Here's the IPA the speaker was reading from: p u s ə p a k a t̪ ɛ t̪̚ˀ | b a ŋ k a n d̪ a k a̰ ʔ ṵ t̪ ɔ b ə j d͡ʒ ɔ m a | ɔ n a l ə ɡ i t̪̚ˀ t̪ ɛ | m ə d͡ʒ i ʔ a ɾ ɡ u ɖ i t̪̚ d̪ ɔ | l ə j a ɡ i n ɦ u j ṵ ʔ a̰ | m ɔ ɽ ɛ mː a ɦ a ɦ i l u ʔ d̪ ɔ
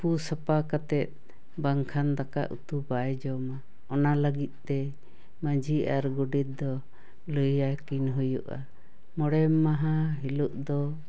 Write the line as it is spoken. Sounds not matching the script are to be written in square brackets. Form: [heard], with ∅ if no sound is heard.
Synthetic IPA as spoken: p u s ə p a k a t̪ ɛ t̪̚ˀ | b a ŋ [kʰ] a n d̪ a k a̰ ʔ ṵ t̪ [u] b [a] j d͡ʒ ɔ m a | ɔ n a l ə ɡ i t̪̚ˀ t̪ ɛ | m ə d͡ʒ i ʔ a ɾ ɡ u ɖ i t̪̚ d̪ ɔ | l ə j a [k] i n ɦ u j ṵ ʔ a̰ | m ɔ ɽ ɛ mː a ɦ a ɦ i l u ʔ d̪ ɔ